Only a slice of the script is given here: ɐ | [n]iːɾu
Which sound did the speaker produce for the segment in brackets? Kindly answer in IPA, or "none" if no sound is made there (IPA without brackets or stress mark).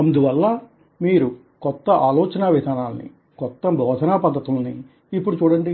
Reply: m